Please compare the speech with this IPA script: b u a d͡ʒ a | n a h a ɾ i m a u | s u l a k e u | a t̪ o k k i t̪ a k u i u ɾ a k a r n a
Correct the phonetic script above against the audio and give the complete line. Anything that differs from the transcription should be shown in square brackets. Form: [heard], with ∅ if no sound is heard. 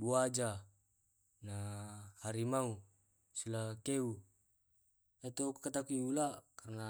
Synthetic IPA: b u a d͡ʒ a | n a h a ɾ i m a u | s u l a k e u | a t̪ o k k [a] t̪ a k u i u [l] a k a r n a